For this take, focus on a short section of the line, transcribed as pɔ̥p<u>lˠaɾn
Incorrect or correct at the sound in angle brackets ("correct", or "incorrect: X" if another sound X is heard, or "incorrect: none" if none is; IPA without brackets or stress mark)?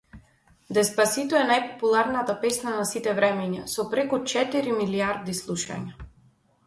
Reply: correct